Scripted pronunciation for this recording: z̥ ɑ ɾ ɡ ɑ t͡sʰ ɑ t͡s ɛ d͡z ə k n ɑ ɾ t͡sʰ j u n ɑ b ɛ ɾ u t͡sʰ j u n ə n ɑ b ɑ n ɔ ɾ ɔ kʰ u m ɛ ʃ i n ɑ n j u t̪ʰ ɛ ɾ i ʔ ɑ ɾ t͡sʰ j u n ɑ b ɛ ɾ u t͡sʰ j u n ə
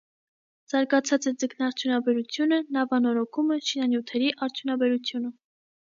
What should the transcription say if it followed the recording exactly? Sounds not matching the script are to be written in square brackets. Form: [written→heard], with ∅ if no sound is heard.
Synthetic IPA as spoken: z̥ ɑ ɾ ɡ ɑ t͡sʰ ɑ t͡s ɛ d͡z ə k n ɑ ɾ t͡sʰ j u n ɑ b ɛ ɾ u t͡sʰ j u n ə n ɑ [b→v] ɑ n ɔ ɾ ɔ kʰ u m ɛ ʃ i n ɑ n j u t̪ʰ ɛ ɾ i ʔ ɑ ɾ t͡sʰ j u n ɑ b ɛ ɾ u t͡sʰ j u n ə